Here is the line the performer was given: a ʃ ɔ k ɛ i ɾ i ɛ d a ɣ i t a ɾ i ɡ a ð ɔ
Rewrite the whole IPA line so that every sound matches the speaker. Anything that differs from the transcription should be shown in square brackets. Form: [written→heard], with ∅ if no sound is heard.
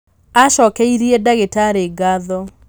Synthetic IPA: a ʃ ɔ k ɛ i ɾ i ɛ d a ɣ [i→e] t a ɾ [i→e] ɡ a ð ɔ